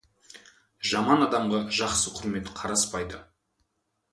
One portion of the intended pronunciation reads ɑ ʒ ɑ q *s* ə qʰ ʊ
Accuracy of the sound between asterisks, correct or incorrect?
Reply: correct